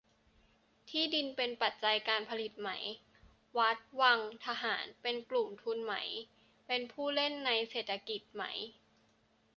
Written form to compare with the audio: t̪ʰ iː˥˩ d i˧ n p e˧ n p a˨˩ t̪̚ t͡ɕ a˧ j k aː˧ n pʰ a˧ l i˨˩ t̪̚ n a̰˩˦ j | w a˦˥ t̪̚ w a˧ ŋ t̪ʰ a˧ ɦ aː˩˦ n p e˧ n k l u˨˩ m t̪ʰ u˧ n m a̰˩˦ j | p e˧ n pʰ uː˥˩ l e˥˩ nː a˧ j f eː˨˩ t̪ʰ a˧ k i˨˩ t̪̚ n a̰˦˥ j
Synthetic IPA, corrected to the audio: t̪ʰ iː˥˩ d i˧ n p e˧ n p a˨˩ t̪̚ t͡ɕ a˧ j k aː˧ n pʰ a˧ l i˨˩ t̪̚ m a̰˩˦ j | w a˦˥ t̪̚ w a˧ ŋ t̪ʰ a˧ ɦ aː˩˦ n p e˧ n k l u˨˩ m t̪ʰ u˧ n m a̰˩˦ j | p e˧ n pʰ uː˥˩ l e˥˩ nː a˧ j s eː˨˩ t̪ʰ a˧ k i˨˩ t̪̚ m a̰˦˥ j